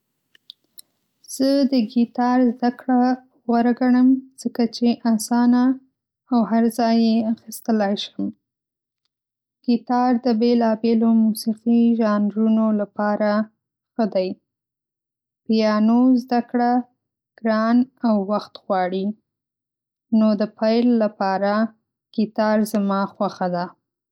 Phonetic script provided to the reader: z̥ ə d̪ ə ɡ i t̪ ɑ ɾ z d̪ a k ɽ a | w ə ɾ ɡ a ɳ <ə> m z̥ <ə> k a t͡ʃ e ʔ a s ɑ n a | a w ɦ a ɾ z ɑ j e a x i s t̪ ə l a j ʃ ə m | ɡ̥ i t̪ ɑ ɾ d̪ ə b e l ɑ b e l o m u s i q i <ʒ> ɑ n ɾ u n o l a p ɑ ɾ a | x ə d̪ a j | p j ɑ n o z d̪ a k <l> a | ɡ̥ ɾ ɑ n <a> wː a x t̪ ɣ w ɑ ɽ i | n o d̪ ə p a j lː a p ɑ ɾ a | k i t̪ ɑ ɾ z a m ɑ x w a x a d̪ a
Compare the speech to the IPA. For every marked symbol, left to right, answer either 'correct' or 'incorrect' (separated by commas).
correct, correct, correct, incorrect, correct